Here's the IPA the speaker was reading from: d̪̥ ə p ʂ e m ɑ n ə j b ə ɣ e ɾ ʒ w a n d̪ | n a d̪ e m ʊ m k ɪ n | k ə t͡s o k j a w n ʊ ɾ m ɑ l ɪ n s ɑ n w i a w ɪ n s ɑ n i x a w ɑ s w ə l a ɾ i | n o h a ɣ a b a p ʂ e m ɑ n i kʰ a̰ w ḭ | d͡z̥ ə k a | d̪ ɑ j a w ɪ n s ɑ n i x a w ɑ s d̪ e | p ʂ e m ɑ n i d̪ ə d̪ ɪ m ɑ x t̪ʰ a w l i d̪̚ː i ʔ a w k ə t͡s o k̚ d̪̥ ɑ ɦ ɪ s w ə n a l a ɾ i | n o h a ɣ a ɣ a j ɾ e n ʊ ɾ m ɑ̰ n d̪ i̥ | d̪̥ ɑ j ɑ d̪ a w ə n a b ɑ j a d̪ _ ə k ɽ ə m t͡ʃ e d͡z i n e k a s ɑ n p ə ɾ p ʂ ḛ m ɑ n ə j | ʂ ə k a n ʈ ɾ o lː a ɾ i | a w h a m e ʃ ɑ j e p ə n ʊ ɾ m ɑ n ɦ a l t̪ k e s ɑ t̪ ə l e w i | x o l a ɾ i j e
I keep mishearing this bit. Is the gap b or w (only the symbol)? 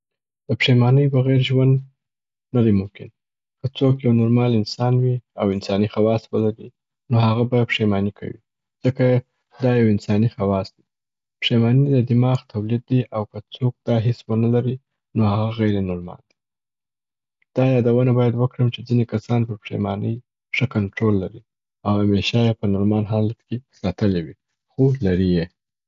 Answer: w